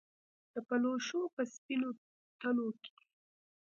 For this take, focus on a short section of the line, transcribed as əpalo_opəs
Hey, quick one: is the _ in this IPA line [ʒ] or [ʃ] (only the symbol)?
ʃ